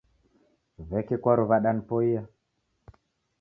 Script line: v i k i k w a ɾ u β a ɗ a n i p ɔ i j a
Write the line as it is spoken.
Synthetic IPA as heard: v ɛ k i k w a ɾ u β a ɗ a n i p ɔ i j a

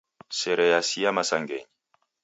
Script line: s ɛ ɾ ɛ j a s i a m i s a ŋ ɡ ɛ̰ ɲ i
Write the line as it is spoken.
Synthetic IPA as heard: s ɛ ɾ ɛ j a s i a m a s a ŋ ɡ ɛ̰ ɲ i

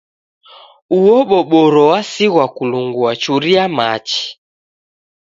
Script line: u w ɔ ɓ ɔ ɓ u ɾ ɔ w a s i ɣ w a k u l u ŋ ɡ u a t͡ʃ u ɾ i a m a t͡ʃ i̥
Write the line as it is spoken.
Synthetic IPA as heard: u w ɔ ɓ ɔ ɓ ɔ ɾ ɔ w a s i ɣ w a k u l u ŋ ɡ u a t͡ʃ u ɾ i a m a t͡ʃ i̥

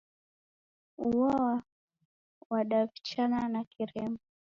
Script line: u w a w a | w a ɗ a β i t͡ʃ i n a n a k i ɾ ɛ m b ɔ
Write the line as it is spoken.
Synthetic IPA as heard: u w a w a | w a ɗ a v i t͡ʃ a n a n a k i ɾ ɛ m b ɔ

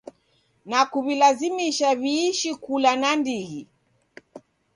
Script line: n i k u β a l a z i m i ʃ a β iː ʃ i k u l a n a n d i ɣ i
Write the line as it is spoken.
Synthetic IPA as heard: n a k u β i l a z i m i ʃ a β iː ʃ i k u l a n a n d i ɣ i

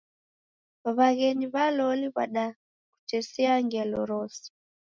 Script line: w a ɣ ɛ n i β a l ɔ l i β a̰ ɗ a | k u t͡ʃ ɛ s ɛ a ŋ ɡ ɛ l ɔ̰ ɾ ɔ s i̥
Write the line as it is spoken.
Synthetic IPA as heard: β a ɣ ɛ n i β a l ɔ l i β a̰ ɗ a | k u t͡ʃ ɛ s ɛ a ŋ ɡ ɛ l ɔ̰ ɾ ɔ s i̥

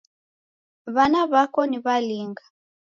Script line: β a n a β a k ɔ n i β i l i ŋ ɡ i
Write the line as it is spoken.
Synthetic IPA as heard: β a n a β a k ɔ n i β a l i ŋ ɡ a

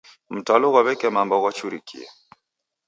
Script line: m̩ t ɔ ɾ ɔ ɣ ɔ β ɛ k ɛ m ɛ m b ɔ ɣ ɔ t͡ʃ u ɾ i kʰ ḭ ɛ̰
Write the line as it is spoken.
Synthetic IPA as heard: m̩ t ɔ l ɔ ɣ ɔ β ɛ k ɛ m a m b ɔ ɣ ɔ t͡ʃ u ɾ i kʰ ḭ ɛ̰

